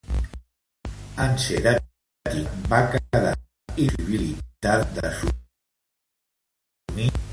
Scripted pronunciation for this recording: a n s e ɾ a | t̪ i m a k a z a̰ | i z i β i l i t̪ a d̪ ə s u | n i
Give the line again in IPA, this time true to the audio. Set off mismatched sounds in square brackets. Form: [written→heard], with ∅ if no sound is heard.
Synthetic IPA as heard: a n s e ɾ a | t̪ i [m→b] a k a [z→ð] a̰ | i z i β i l i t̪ a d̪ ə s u | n i